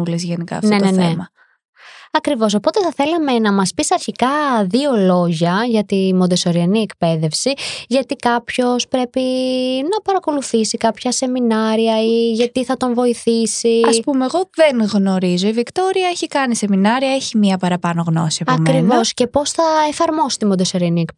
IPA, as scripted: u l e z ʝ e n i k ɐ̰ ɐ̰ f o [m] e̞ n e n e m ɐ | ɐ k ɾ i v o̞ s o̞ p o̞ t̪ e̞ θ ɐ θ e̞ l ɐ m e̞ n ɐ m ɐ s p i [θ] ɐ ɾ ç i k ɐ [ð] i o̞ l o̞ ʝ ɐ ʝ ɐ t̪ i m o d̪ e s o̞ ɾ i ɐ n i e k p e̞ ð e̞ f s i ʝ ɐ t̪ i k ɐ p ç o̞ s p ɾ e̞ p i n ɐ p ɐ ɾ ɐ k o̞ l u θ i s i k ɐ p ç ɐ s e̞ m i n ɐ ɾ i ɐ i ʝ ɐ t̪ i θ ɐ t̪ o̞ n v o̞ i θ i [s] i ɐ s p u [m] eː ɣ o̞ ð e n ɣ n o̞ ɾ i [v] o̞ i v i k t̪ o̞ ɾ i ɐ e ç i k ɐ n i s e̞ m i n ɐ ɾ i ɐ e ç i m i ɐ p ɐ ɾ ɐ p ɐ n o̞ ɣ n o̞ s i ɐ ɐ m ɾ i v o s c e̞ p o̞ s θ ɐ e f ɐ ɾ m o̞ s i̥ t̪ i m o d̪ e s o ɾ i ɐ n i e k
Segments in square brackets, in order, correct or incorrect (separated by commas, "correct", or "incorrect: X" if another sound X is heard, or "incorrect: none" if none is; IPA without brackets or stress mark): incorrect: n, incorrect: s, correct, correct, correct, incorrect: z